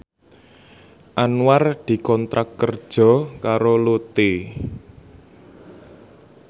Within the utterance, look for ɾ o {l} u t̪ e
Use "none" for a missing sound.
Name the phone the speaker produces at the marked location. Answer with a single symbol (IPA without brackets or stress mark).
l